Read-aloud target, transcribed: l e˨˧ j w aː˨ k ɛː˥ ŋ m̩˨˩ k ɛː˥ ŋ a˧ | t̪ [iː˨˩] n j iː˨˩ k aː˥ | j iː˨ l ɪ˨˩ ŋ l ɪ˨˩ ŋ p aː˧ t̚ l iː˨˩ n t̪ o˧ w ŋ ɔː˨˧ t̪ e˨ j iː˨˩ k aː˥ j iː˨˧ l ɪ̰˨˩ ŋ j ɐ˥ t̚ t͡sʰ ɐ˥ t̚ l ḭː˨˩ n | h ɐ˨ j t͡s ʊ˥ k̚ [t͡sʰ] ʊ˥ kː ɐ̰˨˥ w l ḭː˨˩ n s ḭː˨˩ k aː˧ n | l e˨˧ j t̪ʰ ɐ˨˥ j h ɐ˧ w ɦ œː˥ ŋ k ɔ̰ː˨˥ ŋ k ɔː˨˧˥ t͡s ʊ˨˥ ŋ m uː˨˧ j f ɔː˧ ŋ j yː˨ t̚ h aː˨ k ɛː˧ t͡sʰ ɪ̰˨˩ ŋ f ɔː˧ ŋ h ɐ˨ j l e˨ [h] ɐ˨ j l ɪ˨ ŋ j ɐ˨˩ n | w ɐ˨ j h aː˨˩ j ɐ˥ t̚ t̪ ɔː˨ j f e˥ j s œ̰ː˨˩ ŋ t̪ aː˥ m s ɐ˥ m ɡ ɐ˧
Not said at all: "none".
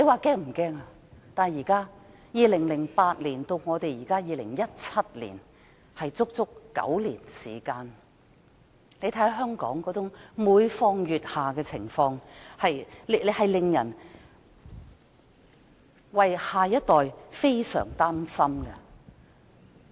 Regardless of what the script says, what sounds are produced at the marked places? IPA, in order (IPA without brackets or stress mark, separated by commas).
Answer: aː˨˩, t͡s, h